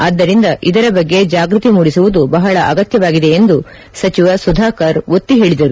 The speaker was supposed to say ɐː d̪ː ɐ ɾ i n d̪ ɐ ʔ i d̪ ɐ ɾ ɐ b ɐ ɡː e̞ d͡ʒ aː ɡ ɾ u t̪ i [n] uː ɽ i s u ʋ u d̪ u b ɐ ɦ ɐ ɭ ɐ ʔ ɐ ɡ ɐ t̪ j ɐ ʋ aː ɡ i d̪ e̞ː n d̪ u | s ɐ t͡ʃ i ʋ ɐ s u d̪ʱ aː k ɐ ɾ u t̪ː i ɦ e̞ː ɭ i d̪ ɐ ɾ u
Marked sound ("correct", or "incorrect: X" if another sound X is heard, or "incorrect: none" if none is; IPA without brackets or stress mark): incorrect: m